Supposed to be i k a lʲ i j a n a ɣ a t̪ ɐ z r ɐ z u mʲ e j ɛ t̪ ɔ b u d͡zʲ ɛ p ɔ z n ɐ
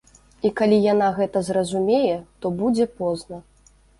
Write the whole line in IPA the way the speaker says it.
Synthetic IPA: i k a lʲ i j a n a ɣ ɛ t̪ ɐ z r ɐ z u mʲ e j ɛ t̪ ɔ b u d͡zʲ ɛ p ɔ z n ɐ